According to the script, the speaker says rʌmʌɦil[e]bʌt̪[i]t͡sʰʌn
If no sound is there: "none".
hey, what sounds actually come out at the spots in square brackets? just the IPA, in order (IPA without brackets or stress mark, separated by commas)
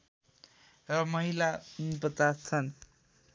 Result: a, a